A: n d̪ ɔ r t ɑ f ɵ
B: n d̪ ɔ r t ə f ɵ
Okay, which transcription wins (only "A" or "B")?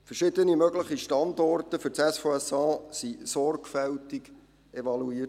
B